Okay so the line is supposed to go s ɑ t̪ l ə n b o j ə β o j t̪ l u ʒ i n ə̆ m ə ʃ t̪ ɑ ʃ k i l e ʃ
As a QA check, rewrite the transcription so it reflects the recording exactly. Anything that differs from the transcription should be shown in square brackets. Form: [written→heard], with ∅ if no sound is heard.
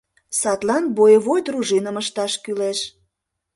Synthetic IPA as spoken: s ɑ t̪ l [ə→ɑ] n b o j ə β o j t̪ [l→r] u ʒ i n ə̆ m ə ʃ t̪ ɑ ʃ k [i→y] l e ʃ